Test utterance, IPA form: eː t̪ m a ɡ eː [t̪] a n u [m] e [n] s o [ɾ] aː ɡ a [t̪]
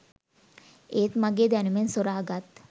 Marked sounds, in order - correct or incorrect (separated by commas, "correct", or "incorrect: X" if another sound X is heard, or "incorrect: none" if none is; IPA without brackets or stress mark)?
incorrect: d̪, correct, correct, correct, correct